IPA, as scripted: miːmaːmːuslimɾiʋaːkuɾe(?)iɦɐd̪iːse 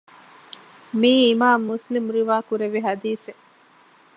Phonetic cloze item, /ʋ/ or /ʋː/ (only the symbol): ʋ